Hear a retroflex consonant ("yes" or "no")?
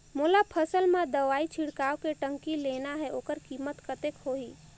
yes